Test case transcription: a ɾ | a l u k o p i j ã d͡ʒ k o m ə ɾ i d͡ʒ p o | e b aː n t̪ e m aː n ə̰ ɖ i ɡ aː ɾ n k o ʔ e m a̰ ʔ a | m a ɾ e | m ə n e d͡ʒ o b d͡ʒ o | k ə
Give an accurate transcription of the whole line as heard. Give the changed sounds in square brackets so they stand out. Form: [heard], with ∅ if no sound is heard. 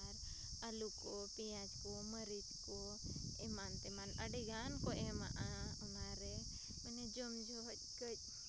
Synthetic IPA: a ɾ | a l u k o p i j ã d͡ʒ k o m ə ɾ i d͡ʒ [k] o | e [m] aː n t̪ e m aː n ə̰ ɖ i ɡ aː [∅] n k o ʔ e m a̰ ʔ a | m a ɾ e | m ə n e d͡ʒ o [m] d͡ʒ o | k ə